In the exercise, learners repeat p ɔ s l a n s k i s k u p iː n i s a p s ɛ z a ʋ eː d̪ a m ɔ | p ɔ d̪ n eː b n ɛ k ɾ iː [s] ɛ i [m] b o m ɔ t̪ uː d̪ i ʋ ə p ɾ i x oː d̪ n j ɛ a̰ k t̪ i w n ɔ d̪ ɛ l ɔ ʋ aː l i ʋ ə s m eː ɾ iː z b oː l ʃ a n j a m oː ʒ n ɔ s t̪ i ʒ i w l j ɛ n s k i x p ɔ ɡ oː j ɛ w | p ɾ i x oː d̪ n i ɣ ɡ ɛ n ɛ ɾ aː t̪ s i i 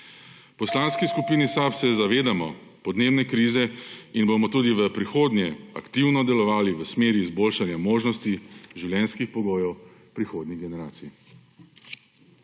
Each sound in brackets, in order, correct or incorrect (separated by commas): incorrect, incorrect